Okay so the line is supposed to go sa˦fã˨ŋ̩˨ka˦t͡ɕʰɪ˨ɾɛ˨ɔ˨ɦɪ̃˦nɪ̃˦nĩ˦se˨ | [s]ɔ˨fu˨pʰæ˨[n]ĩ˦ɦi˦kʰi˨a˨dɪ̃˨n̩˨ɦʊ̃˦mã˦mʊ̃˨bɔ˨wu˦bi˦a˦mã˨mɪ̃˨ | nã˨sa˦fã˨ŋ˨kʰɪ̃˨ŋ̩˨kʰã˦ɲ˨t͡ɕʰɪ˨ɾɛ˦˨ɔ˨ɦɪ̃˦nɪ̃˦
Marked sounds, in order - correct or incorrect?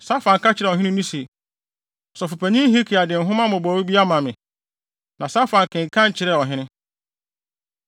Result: correct, incorrect: ɲ

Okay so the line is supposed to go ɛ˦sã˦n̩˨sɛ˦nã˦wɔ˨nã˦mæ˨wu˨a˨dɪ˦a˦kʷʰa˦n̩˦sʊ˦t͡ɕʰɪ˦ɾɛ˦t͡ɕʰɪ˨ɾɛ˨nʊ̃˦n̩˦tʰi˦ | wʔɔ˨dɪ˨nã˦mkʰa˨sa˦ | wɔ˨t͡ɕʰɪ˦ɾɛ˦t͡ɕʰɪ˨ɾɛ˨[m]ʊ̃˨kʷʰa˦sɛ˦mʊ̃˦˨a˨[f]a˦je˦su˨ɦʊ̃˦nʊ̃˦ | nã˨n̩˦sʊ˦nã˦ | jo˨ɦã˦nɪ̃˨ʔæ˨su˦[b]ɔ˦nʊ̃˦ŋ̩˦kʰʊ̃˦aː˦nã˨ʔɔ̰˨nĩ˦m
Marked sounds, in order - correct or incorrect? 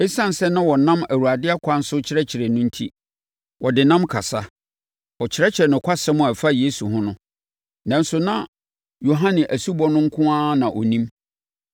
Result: incorrect: n, correct, correct

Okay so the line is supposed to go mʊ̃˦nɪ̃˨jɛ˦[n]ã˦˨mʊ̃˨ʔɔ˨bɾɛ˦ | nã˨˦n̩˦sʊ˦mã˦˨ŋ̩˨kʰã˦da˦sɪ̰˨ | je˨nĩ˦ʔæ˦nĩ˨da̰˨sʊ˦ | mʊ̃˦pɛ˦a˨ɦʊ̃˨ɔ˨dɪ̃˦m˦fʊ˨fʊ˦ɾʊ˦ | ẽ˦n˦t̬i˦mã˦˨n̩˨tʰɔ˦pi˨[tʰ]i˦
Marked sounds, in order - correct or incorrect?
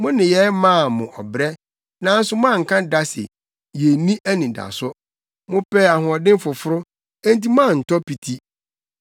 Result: incorrect: m, correct

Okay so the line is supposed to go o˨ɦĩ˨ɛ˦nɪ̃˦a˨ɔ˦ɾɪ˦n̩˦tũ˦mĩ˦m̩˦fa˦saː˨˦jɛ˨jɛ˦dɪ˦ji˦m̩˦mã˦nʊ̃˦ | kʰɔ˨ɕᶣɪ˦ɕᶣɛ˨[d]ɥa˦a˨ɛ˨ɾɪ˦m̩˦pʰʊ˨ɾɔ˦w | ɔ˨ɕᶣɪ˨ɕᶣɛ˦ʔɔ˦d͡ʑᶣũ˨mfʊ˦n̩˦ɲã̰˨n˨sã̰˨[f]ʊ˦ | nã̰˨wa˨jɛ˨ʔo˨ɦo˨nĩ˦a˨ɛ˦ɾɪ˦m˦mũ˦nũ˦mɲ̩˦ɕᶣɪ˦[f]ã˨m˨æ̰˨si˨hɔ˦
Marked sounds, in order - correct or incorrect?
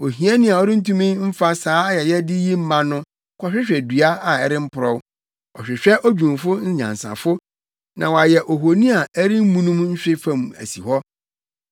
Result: correct, correct, correct

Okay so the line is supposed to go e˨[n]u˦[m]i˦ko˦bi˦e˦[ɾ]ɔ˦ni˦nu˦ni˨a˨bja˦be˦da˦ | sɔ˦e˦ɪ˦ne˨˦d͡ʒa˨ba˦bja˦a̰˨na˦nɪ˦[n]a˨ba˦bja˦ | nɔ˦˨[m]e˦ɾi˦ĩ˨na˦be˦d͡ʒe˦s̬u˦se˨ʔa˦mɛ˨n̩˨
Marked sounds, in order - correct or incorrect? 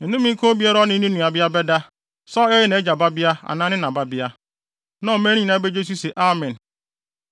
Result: correct, correct, correct, correct, correct

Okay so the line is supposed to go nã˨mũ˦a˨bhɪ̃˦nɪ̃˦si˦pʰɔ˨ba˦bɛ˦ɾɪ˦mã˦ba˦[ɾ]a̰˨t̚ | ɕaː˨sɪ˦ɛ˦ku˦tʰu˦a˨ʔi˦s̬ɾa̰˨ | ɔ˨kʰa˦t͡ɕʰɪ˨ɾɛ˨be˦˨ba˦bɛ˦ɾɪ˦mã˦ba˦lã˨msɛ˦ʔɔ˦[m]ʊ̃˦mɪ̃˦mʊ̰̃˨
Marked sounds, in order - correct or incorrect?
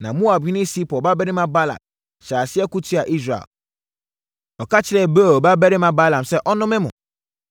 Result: incorrect: l, incorrect: n

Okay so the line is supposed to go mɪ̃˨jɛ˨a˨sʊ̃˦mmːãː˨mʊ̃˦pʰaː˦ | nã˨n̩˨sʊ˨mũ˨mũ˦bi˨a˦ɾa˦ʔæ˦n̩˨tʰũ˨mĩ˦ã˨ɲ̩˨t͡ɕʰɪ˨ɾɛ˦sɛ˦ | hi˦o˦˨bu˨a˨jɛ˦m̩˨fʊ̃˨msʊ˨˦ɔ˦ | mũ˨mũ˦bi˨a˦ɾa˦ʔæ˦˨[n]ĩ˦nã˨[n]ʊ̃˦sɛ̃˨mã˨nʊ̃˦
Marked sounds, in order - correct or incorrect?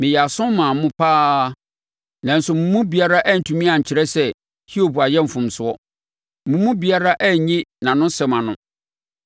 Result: incorrect: ɲ, correct

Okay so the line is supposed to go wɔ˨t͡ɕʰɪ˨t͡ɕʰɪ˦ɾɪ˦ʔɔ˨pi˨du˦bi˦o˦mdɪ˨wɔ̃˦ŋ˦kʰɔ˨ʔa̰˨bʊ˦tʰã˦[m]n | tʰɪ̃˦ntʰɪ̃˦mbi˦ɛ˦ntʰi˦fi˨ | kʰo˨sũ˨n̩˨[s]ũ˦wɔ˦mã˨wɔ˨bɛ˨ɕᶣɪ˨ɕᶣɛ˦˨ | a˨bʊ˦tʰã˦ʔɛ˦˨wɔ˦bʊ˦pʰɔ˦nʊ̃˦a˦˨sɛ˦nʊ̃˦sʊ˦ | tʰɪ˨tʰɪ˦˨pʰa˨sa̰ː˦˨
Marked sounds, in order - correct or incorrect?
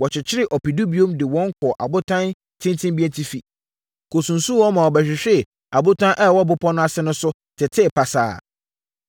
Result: incorrect: none, correct

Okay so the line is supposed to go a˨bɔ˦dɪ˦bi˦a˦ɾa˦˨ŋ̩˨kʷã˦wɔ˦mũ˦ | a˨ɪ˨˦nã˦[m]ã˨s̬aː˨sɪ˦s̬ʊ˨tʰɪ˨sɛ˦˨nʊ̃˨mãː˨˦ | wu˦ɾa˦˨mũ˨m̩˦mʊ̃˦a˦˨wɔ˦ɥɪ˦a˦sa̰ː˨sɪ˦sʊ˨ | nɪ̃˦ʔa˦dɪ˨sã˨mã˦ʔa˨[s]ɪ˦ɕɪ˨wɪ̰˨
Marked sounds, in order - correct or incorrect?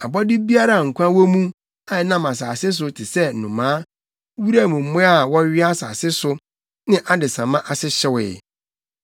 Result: correct, correct

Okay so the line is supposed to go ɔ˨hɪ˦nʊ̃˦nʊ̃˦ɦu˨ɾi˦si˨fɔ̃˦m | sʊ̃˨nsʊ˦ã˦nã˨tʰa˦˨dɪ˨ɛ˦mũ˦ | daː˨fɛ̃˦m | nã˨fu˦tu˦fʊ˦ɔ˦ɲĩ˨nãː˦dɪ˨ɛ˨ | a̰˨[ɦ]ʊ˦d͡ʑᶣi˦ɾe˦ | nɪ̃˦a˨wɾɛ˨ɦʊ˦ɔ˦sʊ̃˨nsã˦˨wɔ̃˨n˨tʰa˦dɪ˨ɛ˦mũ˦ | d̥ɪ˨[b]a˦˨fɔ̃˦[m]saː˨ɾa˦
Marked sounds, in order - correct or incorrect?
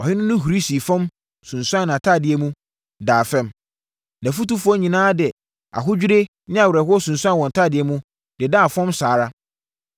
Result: correct, incorrect: d, correct

